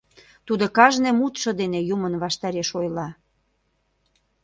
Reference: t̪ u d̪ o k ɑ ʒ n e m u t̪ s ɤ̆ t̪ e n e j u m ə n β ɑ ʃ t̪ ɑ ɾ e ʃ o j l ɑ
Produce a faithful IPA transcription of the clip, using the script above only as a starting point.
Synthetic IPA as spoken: t̪ u d̪ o k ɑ ʒ n e m u t̪ ʃ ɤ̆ d̪ e n e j u m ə n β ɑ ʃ t̪ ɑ ɾ e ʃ o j l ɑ

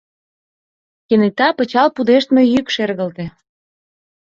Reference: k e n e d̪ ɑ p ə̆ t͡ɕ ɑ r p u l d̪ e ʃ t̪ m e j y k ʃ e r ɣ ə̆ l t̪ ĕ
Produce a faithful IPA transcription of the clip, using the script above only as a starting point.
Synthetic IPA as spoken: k e n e t̪ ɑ p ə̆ t͡ɕ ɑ l p u d̪ e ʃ t̪ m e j y k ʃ e r ɣ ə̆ l t̪ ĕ

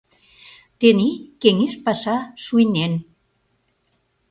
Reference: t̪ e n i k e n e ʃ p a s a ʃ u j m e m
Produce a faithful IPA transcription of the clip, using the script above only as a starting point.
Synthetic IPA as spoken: t̪ e n i k e ŋ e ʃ p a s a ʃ u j n e n

